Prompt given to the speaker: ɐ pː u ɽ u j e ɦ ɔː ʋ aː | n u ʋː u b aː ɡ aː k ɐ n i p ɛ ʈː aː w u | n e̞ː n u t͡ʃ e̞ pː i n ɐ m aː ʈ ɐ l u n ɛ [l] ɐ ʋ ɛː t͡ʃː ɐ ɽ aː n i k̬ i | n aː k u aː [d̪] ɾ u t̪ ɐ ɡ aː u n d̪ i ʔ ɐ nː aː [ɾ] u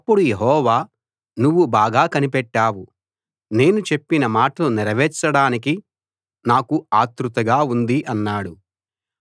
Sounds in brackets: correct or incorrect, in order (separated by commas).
incorrect, incorrect, incorrect